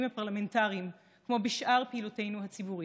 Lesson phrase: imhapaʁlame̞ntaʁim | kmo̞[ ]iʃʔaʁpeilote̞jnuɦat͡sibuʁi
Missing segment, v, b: b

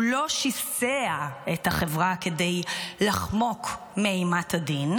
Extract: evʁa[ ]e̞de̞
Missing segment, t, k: k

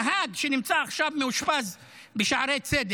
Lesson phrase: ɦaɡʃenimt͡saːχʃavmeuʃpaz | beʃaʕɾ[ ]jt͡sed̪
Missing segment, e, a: e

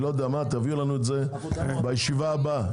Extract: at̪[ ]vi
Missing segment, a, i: a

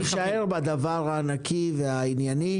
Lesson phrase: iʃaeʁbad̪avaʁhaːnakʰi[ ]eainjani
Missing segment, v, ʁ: v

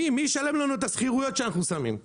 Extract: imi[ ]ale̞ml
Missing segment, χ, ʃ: ʃ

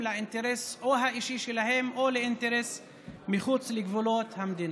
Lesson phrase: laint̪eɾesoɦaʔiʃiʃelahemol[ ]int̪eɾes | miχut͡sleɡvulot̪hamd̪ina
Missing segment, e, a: e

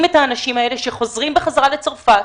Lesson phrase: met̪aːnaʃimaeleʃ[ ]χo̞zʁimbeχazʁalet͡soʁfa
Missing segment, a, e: e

